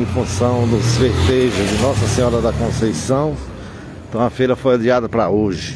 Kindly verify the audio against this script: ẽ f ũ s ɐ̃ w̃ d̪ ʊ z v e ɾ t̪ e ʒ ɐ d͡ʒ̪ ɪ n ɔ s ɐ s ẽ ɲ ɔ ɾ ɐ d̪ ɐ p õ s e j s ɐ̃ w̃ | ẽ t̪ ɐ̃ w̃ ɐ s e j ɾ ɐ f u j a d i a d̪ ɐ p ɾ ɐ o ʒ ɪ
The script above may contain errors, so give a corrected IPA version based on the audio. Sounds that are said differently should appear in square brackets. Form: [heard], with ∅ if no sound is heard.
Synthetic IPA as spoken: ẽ f ũ s ɐ̃ w̃ d̪ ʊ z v e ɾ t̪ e ʒ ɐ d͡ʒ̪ ɪ n ɔ s ɐ s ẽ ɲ ɔ ɾ ɐ d̪ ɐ [k] õ s e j s ɐ̃ w̃ | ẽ t̪ ɐ̃ w̃ ɐ [f] e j ɾ ɐ f [o] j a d i a d̪ ɐ p ɾ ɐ o ʒ ɪ